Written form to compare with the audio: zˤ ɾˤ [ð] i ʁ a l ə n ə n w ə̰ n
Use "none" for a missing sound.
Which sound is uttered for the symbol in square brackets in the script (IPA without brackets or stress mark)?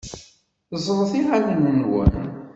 θ